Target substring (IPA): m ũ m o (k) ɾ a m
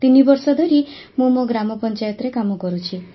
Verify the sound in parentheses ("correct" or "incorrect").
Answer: incorrect